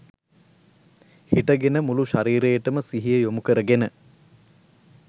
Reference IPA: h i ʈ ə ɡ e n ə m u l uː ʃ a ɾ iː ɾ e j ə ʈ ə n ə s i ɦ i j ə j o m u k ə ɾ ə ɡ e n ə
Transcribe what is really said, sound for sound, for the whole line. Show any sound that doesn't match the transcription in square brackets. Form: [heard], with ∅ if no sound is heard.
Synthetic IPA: h i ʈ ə ɡ e n ə m u l [u] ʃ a ɾ iː ɾ e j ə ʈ ə [m] ə s i ɦ i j ə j o m u k ə ɾ ə ɡ e n ə